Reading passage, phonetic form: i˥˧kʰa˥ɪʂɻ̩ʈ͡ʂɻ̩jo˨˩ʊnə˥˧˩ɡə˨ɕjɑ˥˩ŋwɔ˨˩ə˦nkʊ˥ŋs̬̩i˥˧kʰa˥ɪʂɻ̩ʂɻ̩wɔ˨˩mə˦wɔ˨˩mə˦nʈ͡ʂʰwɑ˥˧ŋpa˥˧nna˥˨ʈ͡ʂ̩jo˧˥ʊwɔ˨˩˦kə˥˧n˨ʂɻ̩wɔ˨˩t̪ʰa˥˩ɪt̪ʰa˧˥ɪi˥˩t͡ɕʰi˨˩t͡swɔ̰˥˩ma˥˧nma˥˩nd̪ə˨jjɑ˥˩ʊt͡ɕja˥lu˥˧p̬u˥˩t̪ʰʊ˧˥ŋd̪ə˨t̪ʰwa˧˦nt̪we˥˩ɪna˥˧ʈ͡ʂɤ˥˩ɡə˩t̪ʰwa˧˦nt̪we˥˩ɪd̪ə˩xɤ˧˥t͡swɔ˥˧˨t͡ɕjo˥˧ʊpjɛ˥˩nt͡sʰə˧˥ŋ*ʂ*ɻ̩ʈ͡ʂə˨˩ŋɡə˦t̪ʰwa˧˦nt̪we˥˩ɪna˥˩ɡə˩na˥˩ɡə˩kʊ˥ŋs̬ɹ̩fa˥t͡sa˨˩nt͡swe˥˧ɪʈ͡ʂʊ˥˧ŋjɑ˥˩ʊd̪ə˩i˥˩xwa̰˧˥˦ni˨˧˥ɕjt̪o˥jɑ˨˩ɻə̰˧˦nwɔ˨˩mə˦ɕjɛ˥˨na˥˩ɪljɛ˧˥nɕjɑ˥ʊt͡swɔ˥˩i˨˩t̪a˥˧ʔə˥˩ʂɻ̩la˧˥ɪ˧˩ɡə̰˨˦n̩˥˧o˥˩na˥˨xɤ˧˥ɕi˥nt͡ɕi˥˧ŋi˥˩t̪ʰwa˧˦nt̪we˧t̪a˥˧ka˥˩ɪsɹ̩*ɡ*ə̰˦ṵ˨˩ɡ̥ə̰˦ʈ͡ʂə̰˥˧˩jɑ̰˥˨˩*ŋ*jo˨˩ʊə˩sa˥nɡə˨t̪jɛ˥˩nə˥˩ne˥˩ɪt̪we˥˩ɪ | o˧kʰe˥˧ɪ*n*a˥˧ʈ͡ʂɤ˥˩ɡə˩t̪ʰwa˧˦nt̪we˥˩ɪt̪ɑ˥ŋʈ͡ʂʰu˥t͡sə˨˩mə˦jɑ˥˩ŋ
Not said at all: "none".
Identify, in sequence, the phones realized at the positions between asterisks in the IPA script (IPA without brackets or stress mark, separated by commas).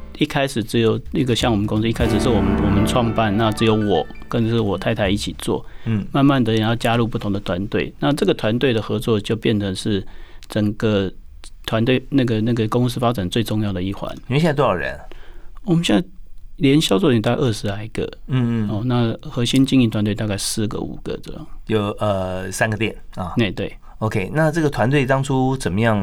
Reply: ʂ, ɡ, ŋ, n